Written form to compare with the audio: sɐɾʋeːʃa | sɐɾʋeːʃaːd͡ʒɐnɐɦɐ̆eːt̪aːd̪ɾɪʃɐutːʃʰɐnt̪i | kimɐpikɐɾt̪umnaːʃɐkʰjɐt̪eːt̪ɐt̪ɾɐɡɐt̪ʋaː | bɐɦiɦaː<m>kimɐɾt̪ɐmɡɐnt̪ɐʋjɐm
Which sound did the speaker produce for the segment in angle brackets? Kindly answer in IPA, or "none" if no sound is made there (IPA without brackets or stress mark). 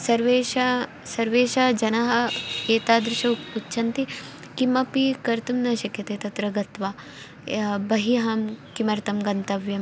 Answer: m